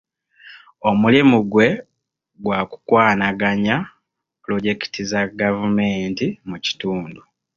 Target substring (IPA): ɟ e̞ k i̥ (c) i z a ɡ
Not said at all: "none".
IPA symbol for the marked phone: t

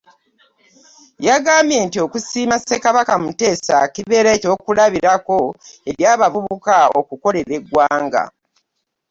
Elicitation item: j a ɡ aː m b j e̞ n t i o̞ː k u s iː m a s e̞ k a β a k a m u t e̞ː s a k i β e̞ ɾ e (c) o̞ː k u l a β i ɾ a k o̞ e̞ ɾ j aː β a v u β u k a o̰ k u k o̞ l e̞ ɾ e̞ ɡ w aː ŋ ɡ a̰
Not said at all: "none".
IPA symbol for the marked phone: c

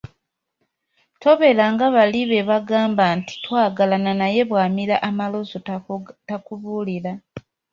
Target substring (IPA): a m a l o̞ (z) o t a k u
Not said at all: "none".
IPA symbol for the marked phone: z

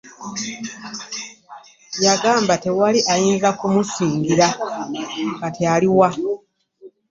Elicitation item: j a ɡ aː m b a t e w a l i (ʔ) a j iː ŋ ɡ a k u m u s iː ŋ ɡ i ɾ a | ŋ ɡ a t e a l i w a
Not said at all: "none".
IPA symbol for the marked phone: ʔ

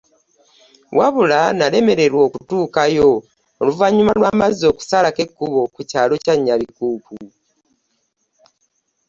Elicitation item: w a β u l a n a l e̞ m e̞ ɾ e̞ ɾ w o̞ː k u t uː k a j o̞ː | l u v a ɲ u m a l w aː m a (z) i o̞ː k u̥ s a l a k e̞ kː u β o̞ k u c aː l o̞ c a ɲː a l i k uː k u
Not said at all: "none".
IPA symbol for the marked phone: z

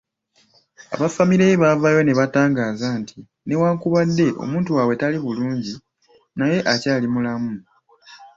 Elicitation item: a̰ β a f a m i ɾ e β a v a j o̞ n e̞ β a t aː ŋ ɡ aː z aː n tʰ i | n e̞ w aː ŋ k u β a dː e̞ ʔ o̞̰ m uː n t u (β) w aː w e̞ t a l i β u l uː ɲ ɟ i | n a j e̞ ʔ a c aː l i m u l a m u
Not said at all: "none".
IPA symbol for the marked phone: none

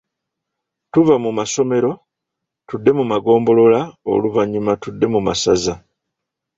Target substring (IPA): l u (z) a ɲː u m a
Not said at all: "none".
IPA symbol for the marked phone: v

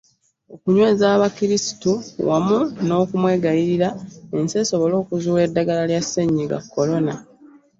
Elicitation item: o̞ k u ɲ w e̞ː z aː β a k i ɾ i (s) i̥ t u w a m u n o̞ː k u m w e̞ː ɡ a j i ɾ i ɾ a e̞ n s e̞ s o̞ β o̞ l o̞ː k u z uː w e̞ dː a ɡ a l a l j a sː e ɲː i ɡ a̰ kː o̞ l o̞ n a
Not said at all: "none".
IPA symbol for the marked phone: s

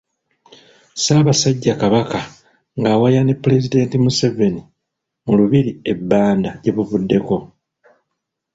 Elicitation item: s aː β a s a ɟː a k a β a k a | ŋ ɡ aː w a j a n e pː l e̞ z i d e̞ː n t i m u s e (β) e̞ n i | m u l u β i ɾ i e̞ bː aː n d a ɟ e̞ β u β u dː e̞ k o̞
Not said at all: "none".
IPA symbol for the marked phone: v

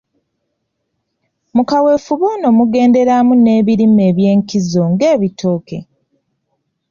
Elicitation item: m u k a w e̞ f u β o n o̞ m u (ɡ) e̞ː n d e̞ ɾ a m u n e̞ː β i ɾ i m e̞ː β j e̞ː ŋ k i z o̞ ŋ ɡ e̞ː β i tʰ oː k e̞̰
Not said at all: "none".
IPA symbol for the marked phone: ɡ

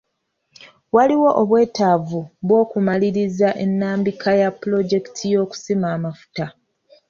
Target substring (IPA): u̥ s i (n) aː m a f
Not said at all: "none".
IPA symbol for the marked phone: m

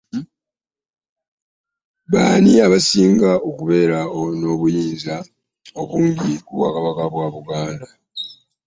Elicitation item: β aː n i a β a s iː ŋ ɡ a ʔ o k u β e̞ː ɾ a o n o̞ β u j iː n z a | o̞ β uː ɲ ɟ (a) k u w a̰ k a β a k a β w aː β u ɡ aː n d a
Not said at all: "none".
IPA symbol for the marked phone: i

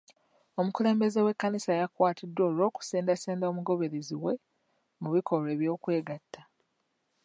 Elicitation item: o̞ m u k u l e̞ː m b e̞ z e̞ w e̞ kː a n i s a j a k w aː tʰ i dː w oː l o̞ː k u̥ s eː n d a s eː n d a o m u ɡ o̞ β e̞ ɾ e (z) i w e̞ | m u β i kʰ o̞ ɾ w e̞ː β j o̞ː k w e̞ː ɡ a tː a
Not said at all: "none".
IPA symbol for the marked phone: z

